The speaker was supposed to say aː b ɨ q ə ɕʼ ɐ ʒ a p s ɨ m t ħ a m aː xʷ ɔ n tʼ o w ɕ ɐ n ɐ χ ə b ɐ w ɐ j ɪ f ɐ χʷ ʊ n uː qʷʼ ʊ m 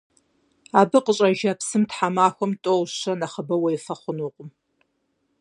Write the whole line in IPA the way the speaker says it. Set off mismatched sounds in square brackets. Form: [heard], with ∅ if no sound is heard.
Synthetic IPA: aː b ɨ q ə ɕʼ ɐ ʒ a p s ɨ m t ħ a m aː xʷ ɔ [m] tʼ o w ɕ ɐ n ɐ χ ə b ɐ w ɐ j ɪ f ɐ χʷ ʊ n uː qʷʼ ʊ m